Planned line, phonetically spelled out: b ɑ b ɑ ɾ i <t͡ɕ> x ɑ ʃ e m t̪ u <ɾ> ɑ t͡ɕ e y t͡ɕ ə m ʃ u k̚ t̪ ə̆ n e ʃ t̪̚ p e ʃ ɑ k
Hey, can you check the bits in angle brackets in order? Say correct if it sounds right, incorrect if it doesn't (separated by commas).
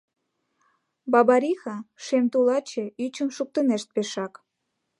incorrect, incorrect